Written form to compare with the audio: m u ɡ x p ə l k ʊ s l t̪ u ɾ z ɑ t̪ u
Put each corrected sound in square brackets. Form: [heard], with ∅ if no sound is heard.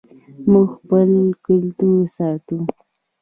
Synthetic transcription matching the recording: m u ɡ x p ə l k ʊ [∅] l t̪ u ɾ [s] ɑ t̪ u